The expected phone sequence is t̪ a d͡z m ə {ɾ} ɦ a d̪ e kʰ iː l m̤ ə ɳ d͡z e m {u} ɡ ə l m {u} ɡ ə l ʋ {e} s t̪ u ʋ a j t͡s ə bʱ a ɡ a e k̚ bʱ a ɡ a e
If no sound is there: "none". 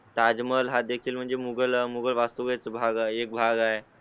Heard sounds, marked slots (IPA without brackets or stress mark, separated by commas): l, u, u, a